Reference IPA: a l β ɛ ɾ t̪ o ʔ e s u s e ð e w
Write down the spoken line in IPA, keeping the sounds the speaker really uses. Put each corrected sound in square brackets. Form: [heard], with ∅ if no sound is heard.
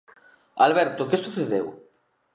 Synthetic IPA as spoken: a l β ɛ ɾ t̪ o [k] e s u [θ] e ð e w